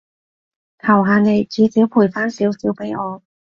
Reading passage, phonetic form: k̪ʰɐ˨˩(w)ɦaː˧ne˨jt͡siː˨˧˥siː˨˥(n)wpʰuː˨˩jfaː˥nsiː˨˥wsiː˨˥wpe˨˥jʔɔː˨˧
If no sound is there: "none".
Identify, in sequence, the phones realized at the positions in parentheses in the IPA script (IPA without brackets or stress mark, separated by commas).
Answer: w, none